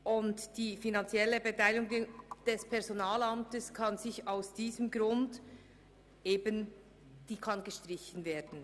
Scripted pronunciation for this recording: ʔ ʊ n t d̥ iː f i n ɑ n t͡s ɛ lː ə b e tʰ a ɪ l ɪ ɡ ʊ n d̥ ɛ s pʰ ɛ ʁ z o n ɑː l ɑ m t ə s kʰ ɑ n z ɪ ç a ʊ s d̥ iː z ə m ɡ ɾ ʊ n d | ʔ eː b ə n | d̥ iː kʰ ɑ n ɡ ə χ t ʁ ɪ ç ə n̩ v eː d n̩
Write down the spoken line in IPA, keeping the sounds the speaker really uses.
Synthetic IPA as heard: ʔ ʊ n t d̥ iː f i n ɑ n t͡s ɛ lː ə b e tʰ a ɪ l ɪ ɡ ʊ ŋ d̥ ɛ s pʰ ɛ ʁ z o n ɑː l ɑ m t ə s kʰ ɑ n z ɪ ç a ʊ s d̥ iː z ə m ɡ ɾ ʊ n d | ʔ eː b ə n | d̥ iː kʰ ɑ n ɡ ə ʃ t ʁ ɪ ç ə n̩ v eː d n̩